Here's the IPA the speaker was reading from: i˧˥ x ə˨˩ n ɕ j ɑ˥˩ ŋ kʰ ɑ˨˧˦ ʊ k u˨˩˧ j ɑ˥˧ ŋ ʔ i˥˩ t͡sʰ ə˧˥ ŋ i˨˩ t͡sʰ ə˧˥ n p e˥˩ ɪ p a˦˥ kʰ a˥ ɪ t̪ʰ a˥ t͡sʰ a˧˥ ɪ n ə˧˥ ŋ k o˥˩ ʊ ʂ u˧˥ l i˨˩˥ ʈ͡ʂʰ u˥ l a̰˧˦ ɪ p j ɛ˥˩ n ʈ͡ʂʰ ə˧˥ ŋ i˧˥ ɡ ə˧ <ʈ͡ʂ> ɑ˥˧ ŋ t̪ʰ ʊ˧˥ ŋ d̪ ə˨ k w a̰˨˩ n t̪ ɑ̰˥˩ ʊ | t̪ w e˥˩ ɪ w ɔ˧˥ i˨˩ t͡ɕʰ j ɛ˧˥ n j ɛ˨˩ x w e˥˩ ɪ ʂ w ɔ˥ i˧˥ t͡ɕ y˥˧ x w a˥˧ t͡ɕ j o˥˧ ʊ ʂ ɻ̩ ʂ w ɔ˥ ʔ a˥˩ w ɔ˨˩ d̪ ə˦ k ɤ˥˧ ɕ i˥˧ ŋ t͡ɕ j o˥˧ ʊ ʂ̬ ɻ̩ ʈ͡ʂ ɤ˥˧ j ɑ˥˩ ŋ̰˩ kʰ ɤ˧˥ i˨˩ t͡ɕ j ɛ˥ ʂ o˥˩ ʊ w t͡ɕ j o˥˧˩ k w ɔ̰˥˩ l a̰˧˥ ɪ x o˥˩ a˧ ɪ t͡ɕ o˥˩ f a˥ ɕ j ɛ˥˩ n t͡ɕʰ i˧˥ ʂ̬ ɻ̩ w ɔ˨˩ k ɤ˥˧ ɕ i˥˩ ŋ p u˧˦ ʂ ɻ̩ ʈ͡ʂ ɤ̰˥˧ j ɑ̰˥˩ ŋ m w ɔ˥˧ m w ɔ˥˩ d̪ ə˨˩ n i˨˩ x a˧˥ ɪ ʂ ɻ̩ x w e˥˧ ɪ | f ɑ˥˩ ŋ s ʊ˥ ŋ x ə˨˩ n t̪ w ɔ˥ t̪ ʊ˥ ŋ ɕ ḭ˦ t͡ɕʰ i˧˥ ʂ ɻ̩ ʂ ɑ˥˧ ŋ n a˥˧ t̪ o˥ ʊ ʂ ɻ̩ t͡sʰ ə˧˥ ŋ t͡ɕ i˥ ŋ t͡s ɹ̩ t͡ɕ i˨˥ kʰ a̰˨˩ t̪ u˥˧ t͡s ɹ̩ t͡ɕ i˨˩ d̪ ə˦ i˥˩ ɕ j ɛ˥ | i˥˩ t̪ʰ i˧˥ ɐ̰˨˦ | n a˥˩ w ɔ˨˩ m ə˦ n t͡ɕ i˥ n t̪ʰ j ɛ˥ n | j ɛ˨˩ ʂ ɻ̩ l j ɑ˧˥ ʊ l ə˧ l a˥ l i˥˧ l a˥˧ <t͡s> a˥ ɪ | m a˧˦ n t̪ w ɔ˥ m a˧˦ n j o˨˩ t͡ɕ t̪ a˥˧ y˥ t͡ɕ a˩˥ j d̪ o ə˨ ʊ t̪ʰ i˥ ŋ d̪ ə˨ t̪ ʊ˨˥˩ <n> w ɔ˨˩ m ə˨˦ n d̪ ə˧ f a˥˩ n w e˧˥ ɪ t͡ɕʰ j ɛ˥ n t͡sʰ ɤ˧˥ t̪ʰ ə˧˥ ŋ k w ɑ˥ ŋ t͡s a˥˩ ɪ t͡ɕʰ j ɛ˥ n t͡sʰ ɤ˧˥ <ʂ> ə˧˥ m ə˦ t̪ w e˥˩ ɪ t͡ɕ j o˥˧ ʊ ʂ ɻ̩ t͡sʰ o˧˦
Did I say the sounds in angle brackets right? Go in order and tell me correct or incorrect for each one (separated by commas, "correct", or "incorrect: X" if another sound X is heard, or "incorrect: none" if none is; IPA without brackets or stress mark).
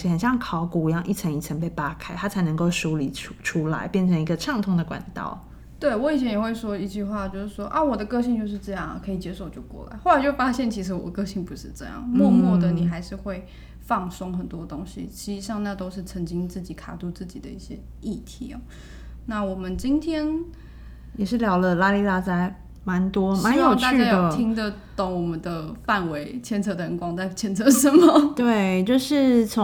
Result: incorrect: ʈ͡ʂʰ, correct, incorrect: ŋ, correct